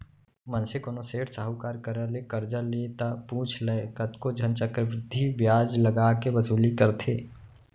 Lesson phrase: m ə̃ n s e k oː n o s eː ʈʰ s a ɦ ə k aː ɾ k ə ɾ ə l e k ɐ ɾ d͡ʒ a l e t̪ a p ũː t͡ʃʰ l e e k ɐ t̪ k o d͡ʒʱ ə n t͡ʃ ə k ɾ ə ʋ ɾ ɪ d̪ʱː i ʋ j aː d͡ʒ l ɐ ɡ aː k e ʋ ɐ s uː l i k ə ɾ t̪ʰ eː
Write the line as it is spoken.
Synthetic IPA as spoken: m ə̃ n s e k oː n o s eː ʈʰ s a ɦ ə k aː ɾ k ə ɾ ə l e k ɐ ɾ d͡ʒ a l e t̪ a p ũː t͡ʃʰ l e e k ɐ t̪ k o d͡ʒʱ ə n t͡ʃ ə k ɾ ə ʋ ɾ ɪ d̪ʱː i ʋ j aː d͡ʒ l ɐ ɡ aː k e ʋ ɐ s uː l i k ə ɾ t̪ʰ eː